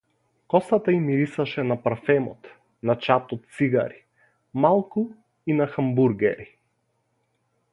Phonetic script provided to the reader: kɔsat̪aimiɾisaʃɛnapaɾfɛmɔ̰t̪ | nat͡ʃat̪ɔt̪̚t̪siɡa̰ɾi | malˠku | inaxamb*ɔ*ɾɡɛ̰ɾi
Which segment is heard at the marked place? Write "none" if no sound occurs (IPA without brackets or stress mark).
u